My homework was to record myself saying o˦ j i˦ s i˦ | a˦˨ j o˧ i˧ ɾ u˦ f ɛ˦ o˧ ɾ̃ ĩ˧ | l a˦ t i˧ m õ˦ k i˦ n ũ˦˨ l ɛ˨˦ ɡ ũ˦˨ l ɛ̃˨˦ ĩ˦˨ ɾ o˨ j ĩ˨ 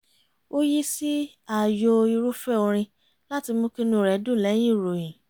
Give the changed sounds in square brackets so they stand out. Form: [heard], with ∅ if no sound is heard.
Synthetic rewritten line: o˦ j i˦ s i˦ | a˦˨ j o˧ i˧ ɾ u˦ f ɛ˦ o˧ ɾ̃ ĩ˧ | l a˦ t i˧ m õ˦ k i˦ n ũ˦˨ [ɾ] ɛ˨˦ [d] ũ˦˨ l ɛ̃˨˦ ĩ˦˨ ɾ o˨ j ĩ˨